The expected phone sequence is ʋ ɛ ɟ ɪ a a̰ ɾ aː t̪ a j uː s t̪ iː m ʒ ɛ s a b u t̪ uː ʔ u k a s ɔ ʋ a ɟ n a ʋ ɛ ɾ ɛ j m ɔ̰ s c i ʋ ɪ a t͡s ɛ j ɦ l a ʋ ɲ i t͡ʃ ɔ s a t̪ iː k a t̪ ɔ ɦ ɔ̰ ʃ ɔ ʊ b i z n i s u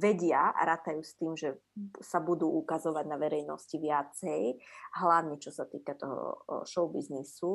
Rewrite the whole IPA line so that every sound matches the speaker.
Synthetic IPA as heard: ʋ ɛ ɟ ɪ a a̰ ɾ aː t̪ a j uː s t̪ iː m ʒ ɛ s a b u d̪ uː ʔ u k a z ɔ ʋ a ɟ n a ʋ ɛ ɾ ɛ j n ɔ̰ s c i ʋ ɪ a t͡s ɛ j ɦ l a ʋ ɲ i t͡ʃ ɔ s a t̪ iː k a t̪ ɔ ɦ ɔ̰ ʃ ɔ ʊ b i z n i s u